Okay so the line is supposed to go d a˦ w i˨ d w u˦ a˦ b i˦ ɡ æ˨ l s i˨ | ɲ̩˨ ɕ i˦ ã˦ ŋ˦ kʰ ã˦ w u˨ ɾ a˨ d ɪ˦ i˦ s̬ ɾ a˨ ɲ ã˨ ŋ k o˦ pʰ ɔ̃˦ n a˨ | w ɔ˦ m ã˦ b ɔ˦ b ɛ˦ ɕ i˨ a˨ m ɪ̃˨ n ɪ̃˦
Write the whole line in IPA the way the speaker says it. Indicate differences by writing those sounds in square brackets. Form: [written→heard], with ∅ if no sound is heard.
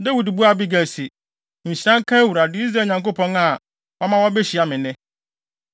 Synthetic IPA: d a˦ w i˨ d [w→b] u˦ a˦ b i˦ ɡ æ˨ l s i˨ | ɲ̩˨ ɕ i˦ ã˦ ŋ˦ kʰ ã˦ w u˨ ɾ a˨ d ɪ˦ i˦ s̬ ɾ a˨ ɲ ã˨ ŋ k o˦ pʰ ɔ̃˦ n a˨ | w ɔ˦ m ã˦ [b→w] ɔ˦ b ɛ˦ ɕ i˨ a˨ m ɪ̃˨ n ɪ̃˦

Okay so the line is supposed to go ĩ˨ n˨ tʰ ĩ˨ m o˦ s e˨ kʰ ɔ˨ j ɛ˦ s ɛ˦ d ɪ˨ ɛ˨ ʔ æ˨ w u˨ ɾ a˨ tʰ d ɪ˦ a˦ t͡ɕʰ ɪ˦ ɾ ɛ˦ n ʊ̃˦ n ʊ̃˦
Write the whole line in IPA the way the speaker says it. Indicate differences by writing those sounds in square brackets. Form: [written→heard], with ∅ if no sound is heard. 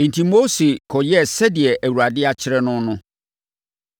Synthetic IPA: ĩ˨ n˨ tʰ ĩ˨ m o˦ s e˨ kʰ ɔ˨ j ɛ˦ s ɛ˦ d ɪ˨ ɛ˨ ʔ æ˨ w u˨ ɾ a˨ [tʰ→∅] d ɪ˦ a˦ t͡ɕʰ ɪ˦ ɾ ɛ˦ n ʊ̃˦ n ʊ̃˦

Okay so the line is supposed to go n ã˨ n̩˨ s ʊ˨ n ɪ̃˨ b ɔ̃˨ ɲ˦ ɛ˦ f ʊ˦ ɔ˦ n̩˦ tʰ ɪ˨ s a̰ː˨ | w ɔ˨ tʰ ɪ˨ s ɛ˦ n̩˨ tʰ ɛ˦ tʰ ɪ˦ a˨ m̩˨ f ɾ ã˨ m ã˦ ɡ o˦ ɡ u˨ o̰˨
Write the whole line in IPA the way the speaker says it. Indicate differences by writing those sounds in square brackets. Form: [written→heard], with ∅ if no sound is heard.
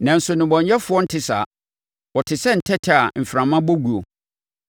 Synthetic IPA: n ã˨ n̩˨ s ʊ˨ n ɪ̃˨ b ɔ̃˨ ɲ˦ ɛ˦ f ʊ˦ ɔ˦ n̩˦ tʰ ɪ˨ s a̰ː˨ | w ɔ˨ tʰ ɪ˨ s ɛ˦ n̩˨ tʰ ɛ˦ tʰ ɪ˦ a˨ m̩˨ f ɾ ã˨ m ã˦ [ɡ→b] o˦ ɡ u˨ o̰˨

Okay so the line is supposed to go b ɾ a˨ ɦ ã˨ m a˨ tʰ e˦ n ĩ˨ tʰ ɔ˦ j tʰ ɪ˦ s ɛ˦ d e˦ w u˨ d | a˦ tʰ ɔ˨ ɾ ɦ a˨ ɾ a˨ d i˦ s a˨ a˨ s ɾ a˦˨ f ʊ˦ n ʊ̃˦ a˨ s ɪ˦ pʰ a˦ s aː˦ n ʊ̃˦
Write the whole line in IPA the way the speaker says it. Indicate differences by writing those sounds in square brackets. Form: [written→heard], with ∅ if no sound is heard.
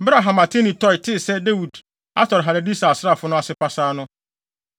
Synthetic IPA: b ɾ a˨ ɦ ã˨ m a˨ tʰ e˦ n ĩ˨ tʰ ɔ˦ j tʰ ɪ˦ s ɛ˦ d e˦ w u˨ d | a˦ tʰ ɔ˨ ɾ ɦ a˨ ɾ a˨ d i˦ s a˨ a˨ s ɾ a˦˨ f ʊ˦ n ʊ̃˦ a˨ s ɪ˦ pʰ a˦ s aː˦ n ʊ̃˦

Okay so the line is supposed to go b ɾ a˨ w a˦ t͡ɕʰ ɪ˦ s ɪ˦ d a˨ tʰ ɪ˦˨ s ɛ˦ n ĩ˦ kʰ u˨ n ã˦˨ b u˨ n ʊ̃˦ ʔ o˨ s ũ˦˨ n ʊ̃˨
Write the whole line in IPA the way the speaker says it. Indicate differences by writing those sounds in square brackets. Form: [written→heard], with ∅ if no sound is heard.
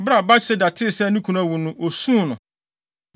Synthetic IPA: b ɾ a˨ [w→b] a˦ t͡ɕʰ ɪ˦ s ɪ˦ d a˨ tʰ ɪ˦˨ s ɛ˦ n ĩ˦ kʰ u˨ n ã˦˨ [b→w] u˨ n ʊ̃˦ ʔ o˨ s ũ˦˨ n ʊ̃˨

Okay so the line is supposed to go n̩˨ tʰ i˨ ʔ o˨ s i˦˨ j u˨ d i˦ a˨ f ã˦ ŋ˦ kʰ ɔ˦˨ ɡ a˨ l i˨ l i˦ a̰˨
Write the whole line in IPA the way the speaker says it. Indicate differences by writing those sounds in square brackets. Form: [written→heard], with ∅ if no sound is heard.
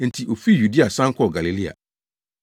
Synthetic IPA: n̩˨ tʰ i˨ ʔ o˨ [s→f] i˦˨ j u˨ d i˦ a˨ [f→s] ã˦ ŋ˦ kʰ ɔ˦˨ ɡ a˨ l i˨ l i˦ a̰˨

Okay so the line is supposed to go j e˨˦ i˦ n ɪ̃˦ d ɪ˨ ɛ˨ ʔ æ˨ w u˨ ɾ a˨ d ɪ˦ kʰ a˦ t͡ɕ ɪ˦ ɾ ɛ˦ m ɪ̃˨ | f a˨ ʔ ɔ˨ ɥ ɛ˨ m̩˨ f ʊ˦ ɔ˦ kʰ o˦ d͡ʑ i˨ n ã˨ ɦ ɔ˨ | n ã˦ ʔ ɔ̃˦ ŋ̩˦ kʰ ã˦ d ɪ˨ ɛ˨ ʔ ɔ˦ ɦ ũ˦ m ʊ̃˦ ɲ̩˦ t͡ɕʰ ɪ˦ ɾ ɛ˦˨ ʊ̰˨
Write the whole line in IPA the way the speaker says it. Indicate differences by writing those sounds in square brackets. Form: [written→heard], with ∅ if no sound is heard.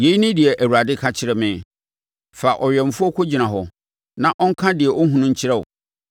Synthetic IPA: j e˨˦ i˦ n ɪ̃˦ d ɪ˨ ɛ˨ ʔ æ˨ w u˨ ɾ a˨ d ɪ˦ kʰ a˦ [t͡ɕ→t͡ɕʰ] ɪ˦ ɾ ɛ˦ m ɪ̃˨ | f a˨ ʔ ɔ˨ ɥ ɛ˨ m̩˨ f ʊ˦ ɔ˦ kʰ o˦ d͡ʑ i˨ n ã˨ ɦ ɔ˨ | n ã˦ ʔ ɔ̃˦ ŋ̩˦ kʰ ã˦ d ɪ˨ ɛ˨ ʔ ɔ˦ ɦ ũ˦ [m→n] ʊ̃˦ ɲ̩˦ t͡ɕʰ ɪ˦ ɾ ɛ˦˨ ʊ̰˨

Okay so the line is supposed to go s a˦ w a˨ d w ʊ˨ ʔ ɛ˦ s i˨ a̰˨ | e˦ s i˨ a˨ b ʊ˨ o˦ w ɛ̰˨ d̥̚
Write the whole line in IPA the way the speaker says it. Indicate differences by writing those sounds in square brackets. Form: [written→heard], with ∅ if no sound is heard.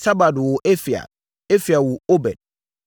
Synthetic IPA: s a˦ [w→b] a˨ d w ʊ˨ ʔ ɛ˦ [s→f] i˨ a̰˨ | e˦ [s→f] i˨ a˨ [b→w] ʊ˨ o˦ [w→b] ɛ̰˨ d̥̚

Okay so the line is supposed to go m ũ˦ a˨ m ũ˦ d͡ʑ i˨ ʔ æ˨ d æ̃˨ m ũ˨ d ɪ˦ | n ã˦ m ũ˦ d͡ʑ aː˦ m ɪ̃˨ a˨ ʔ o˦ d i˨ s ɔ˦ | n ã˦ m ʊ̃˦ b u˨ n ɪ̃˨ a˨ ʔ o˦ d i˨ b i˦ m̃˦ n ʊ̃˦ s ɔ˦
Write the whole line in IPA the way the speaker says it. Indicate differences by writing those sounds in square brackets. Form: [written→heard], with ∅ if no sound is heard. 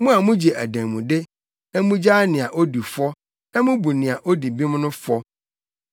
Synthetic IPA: m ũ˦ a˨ m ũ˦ d͡ʑ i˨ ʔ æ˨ d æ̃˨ m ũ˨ d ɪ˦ | n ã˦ m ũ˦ d͡ʑ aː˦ [m→n] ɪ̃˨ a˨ ʔ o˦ d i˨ [s→f] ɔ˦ | n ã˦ m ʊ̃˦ b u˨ n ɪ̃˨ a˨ ʔ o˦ d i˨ b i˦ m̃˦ n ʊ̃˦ [s→f] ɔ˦

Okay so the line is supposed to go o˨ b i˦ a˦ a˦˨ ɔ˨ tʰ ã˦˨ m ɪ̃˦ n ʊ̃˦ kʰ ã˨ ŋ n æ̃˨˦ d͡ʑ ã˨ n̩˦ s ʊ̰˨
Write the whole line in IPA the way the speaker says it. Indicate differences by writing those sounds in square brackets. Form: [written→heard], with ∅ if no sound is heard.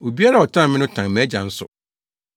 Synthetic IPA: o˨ b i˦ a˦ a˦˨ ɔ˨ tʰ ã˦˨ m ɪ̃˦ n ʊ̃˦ [kʰ→tʰ] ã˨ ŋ [n→m] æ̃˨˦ d͡ʑ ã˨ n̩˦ s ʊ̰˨

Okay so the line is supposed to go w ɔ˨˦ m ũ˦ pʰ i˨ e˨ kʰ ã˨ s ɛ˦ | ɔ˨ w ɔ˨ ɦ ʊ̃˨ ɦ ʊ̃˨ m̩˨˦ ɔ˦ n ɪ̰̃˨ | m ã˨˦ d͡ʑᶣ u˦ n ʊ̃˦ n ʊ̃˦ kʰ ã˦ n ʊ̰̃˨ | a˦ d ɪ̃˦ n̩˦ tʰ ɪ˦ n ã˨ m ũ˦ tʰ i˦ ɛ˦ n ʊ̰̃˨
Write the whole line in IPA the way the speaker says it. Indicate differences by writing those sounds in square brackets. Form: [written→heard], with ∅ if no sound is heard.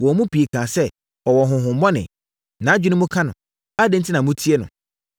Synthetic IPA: w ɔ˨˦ m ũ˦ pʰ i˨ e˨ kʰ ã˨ s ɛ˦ | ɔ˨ w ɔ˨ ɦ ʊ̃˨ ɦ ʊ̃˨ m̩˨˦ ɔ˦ n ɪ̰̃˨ | [m→n] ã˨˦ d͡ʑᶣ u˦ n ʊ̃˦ [n→m] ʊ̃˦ kʰ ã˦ n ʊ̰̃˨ | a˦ d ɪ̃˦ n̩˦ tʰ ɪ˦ n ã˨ m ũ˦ tʰ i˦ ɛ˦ n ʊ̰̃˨

